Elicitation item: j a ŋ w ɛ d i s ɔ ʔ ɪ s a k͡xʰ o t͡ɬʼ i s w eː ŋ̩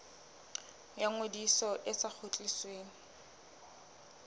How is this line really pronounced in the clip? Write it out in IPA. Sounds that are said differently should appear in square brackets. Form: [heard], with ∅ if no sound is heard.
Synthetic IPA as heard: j a ŋ w [e] d i s ɔ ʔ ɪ s a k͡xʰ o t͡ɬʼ i s w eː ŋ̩